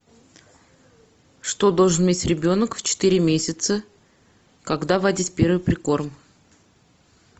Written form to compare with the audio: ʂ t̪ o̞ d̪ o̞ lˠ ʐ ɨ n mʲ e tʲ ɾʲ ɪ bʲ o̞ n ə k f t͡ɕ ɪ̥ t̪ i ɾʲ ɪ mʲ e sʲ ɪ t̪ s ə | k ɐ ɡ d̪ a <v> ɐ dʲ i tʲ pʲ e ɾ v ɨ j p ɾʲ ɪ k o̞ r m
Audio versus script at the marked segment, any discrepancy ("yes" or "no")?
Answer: no